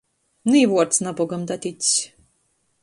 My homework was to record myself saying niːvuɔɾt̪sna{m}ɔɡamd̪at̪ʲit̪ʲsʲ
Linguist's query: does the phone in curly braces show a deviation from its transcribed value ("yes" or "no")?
yes